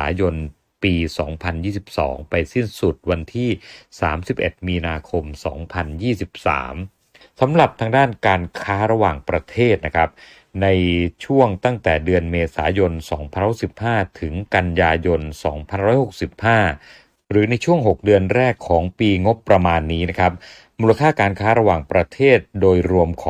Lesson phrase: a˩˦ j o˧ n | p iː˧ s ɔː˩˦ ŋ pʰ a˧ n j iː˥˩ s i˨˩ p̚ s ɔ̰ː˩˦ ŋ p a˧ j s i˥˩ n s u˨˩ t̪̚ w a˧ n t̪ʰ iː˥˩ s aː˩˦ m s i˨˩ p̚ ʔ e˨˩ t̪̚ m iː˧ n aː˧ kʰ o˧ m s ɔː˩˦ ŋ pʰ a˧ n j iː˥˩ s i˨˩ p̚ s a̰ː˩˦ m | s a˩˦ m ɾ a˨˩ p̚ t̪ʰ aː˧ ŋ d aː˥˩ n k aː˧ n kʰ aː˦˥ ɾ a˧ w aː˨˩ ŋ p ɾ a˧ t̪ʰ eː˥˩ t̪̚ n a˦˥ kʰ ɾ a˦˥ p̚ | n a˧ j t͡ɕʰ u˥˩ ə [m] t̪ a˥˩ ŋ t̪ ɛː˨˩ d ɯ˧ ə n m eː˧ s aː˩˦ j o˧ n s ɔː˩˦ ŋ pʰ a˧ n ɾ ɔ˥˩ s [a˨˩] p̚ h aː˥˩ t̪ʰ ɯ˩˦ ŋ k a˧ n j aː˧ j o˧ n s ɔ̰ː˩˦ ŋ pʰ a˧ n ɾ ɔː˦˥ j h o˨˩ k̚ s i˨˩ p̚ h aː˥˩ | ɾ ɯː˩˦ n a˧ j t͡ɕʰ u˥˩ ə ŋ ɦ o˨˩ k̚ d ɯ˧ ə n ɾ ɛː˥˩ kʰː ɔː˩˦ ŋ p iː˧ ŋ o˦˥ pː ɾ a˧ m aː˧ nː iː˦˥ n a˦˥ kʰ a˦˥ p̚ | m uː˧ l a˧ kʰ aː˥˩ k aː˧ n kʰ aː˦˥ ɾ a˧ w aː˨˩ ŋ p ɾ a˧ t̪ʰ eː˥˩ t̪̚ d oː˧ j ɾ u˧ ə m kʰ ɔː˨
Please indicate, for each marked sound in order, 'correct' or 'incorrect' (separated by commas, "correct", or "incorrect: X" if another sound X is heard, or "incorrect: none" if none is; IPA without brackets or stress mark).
incorrect: ŋ, incorrect: i˨˩